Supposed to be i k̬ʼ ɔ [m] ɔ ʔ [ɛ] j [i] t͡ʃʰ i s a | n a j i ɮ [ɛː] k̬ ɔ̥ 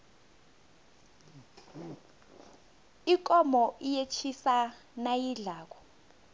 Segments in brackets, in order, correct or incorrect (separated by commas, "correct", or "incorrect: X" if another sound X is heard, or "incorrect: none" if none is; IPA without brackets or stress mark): correct, incorrect: i, incorrect: e, incorrect: aː